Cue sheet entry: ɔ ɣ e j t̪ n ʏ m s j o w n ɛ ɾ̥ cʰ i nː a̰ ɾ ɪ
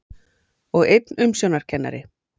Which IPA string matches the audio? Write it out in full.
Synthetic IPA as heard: ɔ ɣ e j t̪ n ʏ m s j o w n a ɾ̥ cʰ ɛ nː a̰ ɾ ɪ